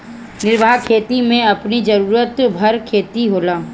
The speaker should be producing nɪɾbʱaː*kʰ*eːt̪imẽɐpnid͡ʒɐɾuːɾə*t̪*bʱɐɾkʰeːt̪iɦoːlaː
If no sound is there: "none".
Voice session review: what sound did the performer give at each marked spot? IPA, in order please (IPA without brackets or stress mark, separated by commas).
kʰ, t̪